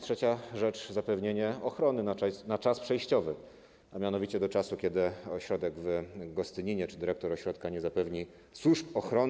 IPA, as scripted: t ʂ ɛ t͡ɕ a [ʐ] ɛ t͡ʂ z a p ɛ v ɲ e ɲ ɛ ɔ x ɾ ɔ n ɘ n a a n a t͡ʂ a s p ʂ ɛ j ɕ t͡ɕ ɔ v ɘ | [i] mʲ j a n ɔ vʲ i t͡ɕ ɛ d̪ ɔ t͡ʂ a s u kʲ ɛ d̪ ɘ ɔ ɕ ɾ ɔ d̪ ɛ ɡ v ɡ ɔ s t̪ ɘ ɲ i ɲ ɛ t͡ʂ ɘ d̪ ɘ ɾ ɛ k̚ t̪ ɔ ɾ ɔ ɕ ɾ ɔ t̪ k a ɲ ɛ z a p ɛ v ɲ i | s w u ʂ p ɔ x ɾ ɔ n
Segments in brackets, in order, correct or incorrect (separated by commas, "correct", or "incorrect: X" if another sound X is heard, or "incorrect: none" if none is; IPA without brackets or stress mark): correct, incorrect: a